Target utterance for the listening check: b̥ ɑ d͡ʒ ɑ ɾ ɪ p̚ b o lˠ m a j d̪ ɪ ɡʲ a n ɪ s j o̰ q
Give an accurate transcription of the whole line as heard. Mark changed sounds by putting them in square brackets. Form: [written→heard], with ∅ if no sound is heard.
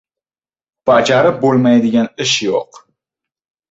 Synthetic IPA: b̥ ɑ d͡ʒ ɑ ɾ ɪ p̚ b o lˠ m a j d̪ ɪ ɡʲ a n ɪ [s→ʃ] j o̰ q

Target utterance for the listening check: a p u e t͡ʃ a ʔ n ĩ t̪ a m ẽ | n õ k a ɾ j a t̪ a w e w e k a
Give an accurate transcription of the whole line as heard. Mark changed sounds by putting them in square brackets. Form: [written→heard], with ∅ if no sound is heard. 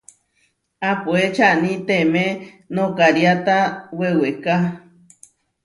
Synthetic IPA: a p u e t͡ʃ a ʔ n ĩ t̪ [a→e] m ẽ | n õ k a ɾ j a t̪ a w e w e k a

